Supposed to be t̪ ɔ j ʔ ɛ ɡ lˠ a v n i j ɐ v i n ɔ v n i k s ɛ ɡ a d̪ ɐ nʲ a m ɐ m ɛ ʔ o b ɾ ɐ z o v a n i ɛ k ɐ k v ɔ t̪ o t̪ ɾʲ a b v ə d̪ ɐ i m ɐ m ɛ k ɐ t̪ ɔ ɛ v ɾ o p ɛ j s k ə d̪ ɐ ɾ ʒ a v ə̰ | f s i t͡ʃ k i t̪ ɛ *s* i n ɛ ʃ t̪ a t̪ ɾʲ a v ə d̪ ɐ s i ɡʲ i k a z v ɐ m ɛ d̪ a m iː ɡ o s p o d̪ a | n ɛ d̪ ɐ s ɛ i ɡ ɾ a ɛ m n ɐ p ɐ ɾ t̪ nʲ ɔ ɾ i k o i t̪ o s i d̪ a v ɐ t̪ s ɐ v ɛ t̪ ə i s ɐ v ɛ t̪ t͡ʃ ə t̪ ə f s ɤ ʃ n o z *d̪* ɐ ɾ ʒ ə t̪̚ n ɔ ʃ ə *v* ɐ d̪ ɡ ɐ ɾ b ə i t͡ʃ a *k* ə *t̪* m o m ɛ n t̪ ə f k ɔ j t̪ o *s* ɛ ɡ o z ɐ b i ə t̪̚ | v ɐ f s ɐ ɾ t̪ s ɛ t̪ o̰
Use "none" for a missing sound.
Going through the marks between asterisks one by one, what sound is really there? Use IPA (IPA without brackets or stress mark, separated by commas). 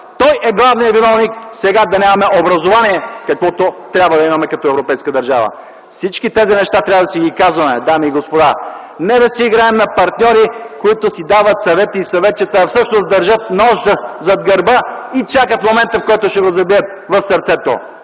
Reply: z, d̪, z, k, t̪, ʃ